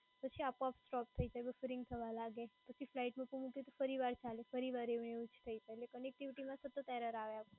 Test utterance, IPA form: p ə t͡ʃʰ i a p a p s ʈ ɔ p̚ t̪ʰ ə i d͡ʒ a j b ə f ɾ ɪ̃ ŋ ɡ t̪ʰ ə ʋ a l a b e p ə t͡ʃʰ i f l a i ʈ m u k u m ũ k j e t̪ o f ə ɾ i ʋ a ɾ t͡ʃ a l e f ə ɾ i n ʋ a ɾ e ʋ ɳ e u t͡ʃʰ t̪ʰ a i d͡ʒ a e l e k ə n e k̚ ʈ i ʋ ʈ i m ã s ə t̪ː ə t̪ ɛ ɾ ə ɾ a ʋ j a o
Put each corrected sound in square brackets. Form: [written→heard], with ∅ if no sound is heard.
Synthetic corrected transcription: p ə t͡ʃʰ i a p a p s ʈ ɔ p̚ t̪ʰ ə i d͡ʒ a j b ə f ɾ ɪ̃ ŋ ɡ t̪ʰ ə ʋ a l a [b→ɡ] e p ə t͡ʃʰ i f l a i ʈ m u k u m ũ k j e t̪ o f ə ɾ i ʋ a ɾ t͡ʃ a l e f ə ɾ i [n→∅] ʋ a ɾ e ʋ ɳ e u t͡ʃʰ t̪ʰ [a→ə] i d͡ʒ a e l e k ə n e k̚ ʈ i ʋ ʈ i m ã s ə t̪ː ə t̪ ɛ ɾ ə ɾ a ʋ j a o